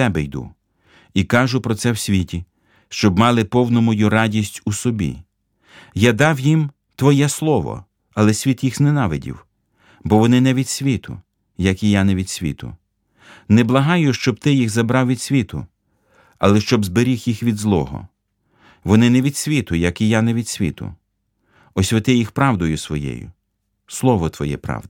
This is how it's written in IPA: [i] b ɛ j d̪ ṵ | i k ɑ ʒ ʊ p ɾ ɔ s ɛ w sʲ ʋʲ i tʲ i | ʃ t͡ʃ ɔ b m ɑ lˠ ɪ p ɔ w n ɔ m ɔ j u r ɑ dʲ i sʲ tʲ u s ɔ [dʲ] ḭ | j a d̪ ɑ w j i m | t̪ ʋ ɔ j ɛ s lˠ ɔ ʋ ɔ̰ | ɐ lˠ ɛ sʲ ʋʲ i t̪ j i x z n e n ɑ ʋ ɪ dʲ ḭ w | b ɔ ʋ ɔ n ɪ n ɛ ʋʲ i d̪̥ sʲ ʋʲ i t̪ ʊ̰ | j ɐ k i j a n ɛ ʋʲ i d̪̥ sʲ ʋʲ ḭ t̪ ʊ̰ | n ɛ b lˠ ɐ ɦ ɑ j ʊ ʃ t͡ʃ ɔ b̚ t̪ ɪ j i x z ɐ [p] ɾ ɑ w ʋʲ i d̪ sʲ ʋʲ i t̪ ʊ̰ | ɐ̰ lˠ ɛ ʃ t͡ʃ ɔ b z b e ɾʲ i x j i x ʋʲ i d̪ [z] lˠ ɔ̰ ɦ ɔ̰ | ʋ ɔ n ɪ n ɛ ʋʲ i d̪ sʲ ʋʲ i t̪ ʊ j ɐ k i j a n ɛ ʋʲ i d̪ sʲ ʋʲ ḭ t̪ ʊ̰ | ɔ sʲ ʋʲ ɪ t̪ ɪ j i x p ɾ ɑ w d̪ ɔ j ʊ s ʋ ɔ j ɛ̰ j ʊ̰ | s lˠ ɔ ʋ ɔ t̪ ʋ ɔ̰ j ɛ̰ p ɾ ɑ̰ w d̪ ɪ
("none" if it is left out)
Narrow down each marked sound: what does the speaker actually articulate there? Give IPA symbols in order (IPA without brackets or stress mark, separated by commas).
ɛ, bʲ, b, z